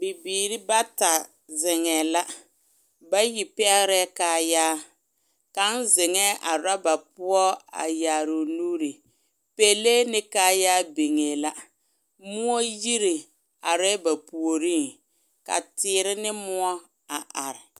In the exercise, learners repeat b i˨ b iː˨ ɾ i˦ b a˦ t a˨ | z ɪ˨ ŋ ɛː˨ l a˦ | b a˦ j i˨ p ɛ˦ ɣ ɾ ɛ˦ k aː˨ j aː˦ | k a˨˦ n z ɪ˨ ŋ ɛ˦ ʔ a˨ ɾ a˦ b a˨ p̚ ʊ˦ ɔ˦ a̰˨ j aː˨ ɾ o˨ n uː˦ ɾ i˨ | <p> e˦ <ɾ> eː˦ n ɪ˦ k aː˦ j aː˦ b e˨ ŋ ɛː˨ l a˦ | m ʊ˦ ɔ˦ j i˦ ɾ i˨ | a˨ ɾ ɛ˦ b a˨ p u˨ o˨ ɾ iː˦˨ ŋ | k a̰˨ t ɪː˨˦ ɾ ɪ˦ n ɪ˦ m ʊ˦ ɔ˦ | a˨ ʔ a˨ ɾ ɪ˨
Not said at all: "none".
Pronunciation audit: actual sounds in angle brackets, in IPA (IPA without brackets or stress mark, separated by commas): p, l